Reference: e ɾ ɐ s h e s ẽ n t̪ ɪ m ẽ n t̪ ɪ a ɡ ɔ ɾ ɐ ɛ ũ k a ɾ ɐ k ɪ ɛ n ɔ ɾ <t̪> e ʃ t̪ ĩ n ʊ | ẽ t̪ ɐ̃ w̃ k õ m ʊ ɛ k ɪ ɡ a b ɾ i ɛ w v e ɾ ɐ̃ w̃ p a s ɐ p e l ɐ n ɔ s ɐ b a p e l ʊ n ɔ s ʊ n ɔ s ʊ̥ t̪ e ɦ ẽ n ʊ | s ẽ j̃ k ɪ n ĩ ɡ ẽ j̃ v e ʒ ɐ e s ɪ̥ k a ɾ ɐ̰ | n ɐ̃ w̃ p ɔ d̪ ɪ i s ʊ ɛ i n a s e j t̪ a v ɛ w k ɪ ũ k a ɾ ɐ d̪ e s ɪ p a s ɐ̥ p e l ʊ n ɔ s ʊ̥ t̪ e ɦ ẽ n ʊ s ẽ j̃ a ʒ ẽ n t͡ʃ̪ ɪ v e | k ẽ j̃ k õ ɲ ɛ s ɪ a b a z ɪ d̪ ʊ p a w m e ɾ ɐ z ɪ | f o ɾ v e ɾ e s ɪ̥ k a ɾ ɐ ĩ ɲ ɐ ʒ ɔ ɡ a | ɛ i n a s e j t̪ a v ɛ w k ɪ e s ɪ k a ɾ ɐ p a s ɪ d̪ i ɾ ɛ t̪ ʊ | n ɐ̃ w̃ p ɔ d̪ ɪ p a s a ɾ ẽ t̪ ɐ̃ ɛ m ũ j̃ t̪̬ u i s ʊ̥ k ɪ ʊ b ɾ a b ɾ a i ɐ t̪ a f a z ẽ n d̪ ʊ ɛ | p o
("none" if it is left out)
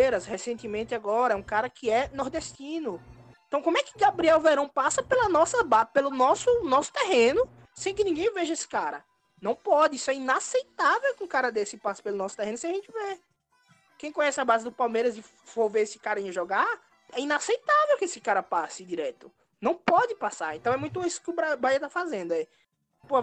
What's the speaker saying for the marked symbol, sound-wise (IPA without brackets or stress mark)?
d̪